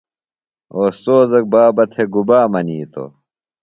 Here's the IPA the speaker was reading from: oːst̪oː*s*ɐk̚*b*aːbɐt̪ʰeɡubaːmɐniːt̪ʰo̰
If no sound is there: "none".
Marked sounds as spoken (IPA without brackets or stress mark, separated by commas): z, b